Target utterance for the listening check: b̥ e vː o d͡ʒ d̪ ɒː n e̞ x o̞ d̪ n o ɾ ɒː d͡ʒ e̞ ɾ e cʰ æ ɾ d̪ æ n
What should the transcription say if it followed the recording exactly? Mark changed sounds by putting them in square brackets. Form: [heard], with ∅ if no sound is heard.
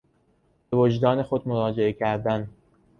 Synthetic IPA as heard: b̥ e [v] o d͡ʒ d̪ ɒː n e̞ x o̞ d̪ [m] o ɾ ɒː d͡ʒ e̞ [∅] e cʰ æ ɾ d̪ æ n